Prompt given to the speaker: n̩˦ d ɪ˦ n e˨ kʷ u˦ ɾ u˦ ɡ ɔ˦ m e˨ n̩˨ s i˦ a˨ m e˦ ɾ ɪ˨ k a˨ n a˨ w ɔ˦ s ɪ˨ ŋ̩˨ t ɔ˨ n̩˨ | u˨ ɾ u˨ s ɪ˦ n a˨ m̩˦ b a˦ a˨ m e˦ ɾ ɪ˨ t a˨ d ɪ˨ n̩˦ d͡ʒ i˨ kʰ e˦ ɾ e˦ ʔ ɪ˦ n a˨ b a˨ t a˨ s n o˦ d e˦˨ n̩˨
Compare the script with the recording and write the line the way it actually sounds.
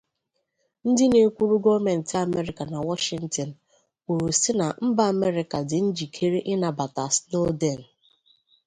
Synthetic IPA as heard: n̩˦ d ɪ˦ n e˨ kʷ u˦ ɾ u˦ ɡ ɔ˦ m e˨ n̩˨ t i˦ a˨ m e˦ ɾ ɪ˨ k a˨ n a˨ w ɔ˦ ʃ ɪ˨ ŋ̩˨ t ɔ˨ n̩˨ | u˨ ɾ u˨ s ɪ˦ n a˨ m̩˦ b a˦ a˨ m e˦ ɾ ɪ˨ k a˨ d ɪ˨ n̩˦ d͡ʒ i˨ kʰ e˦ ɾ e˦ ʔ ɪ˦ n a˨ b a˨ t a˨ s n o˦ d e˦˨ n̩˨